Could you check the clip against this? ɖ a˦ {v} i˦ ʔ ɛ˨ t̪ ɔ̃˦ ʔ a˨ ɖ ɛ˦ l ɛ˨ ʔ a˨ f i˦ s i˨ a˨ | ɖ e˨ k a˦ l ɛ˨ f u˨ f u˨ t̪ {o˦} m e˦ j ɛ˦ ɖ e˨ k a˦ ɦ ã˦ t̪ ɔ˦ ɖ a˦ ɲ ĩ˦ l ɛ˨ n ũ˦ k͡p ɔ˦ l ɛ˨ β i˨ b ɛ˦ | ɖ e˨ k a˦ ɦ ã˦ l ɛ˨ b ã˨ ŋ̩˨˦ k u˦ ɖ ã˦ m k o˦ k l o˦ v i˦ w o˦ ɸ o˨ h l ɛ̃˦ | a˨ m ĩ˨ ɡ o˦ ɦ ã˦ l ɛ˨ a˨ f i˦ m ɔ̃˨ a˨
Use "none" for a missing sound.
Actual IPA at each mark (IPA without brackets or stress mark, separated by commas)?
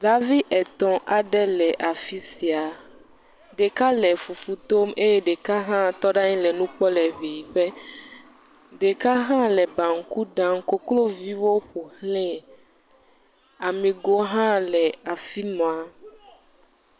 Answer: v, o˦